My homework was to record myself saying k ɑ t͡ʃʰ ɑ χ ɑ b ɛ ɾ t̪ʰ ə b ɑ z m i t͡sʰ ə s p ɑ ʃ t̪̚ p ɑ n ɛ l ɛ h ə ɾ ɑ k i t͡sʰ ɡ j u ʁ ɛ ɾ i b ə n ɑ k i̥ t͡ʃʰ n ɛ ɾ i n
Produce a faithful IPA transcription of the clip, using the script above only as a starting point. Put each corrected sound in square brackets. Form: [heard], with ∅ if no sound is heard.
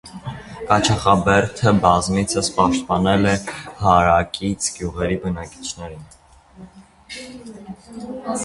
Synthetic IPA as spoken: k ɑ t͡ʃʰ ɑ χ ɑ b ɛ ɾ t̪ʰ ə b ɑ z m i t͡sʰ ə s p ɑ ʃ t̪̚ p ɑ n ɛ l ɛ h [ɑ] ɾ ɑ k i t͡sʰ ɡ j u ʁ ɛ ɾ i b ə n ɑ k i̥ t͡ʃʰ n ɛ ɾ i n